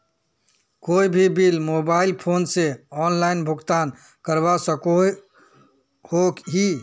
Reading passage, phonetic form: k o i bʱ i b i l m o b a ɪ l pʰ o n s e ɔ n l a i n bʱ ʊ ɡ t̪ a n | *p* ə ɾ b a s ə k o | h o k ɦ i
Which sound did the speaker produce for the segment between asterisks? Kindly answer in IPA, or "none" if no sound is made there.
k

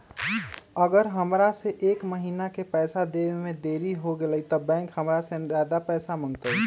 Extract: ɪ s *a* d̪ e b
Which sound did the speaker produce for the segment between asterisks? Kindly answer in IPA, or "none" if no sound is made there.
a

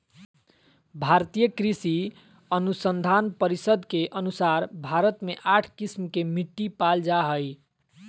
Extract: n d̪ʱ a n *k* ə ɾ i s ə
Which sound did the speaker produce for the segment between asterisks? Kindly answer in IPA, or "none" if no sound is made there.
p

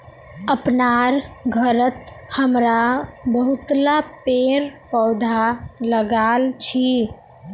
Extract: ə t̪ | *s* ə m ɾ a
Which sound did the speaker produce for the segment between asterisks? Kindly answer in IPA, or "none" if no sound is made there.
h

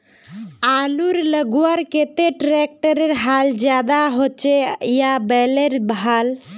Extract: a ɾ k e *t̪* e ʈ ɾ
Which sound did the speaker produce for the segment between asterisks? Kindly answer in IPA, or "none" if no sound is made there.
t̪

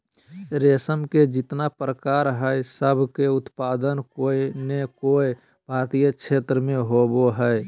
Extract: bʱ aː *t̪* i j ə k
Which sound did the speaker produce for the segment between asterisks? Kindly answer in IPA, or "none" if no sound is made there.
t̪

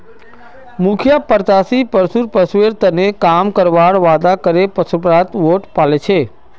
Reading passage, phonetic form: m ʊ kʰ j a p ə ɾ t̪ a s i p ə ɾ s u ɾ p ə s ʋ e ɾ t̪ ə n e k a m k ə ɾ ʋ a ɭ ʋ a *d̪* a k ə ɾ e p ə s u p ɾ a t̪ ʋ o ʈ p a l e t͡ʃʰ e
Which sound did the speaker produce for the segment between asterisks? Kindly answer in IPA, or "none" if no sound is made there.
d̪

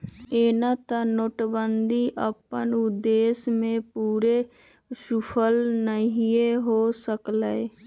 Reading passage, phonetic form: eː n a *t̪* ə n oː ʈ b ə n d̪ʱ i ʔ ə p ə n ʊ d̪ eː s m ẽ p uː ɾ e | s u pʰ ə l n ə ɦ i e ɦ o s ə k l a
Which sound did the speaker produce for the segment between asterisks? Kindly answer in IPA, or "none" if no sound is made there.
t̪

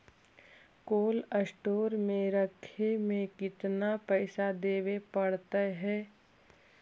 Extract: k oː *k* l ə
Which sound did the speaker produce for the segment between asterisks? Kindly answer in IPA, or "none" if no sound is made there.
none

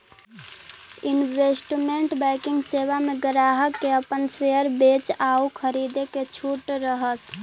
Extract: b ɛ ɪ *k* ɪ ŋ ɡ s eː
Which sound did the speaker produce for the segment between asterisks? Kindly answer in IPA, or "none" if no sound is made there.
k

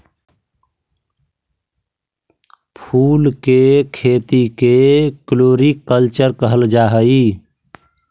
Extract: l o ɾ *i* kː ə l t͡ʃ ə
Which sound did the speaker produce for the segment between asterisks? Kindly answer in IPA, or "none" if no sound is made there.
i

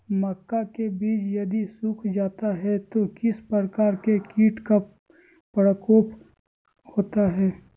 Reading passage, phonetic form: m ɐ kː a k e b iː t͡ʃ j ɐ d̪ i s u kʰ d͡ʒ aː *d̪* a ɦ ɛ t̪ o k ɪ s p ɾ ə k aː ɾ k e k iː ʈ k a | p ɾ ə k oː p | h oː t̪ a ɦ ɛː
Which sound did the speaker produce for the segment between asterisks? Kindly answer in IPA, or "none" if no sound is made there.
t̪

